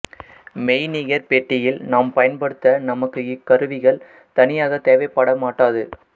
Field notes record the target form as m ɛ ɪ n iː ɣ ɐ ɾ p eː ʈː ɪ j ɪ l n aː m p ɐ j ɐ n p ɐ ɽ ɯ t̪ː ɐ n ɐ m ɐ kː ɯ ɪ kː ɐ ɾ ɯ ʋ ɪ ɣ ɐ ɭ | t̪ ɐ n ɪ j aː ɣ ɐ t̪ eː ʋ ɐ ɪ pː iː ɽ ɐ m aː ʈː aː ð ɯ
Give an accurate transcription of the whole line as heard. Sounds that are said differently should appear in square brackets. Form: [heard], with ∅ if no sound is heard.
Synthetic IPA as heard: m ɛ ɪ n iː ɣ ɐ ɾ p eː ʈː ɪ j ɪ l n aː m p ɐ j ɐ n p ɐ ɽ ɯ t̪ː ɐ n ɐ m ɐ kː ɯ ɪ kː ɐ ɾ ɯ ʋ ɪ ɣ ɐ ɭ | t̪ ɐ n ɪ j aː ɣ ɐ t̪ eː ʋ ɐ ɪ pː [aː] ɽ ɐ m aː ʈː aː ð ɯ